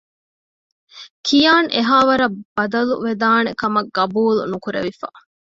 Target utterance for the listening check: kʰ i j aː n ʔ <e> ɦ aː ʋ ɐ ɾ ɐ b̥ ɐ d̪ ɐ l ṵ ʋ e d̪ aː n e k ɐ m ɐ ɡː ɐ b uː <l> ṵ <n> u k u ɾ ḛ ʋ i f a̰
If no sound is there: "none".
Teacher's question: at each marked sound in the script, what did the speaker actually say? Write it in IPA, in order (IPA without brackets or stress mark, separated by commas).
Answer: e, l, n